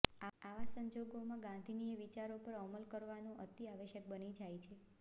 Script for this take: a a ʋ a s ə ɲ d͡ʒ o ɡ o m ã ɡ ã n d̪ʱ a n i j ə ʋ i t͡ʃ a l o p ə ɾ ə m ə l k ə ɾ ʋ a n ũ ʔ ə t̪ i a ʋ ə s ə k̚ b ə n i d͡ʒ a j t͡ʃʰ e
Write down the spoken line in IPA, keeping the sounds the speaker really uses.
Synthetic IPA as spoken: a a ʋ a s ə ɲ d͡ʒ o ɡ o m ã ɡ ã n d̪ʱ i n i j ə ʋ i t͡ʃ a ɾ o p ə ɾ ə m ə l k ə ɾ ʋ a n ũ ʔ ə t̪ i a ʋ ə ʃ ə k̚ b ə n i d͡ʒ a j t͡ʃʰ e